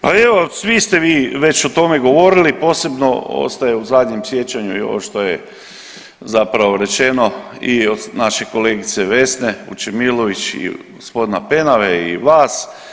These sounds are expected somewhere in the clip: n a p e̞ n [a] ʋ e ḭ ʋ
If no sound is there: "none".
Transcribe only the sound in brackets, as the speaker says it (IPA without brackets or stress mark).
a